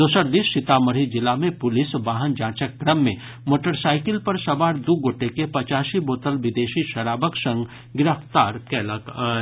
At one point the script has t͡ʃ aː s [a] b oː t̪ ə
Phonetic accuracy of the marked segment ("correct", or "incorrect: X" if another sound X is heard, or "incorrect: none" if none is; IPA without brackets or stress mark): incorrect: i